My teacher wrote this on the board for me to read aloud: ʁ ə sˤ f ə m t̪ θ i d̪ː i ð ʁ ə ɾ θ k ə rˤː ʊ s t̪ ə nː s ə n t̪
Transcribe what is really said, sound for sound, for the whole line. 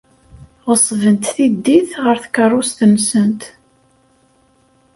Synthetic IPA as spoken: ʁ ə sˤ v ə n t̪ θ i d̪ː i θ ʁ ə ɾ θ k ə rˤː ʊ s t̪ ə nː s ə n t̪